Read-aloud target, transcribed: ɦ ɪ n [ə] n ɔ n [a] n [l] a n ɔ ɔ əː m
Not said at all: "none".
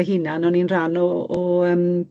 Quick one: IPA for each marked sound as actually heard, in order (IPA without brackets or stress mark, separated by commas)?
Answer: a, i, r